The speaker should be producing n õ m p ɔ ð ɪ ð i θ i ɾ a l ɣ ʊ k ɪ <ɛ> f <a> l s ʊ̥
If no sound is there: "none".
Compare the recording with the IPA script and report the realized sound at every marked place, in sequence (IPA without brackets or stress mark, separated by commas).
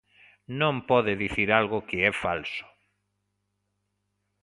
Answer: ɛ, a